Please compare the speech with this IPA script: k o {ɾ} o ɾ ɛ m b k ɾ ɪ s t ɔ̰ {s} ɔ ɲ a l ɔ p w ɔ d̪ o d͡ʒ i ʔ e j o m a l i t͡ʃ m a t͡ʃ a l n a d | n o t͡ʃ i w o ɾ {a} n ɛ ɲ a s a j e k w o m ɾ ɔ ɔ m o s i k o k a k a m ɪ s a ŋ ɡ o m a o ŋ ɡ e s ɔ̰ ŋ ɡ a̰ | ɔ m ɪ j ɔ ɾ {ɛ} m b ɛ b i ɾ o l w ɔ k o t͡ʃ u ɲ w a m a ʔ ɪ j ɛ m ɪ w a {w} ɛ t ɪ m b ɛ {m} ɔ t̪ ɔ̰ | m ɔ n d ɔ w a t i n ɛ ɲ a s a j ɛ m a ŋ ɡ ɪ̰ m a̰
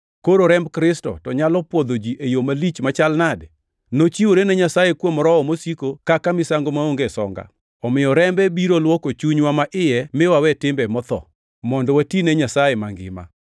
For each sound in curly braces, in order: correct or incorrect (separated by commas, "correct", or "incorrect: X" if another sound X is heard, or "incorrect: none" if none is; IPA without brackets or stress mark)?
correct, incorrect: t, incorrect: e, correct, correct, correct